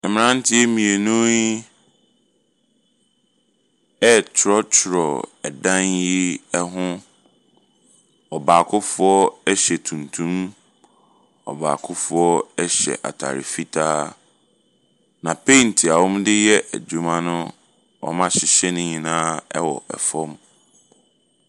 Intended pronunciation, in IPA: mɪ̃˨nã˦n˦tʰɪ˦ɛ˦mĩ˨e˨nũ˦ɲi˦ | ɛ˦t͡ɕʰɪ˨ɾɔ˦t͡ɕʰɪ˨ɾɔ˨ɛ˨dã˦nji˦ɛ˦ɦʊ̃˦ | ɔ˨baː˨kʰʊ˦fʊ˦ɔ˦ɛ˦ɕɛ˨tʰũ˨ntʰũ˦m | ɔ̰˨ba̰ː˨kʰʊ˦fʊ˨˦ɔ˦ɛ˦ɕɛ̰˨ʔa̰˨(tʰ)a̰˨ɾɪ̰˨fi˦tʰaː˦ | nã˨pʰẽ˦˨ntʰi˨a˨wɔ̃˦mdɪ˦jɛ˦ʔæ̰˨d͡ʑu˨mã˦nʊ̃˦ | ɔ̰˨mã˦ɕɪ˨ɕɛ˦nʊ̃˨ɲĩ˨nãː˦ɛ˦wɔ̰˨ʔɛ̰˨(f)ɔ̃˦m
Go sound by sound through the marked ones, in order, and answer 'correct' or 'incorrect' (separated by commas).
correct, correct